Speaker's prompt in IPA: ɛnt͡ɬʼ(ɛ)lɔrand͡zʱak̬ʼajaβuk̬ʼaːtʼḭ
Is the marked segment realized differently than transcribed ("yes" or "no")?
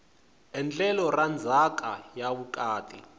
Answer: no